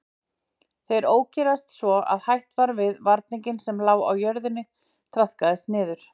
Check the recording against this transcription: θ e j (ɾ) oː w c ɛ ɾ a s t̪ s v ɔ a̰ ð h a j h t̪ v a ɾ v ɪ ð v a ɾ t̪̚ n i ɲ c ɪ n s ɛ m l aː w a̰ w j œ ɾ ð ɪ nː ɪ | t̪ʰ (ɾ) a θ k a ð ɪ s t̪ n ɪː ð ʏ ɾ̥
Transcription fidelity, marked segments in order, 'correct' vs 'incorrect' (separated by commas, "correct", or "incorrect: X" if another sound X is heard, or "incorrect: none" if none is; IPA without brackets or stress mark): correct, correct